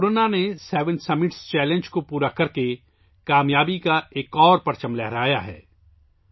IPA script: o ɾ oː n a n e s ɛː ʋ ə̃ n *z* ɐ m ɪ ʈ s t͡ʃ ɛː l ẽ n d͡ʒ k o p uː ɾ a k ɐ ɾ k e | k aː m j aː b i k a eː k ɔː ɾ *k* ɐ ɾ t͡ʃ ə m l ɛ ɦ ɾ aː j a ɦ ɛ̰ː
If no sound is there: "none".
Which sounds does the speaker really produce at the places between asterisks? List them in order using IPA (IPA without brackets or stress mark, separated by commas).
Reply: s, p